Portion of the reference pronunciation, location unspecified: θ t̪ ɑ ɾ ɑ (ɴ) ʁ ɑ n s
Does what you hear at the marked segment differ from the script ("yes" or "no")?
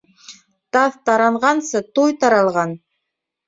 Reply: no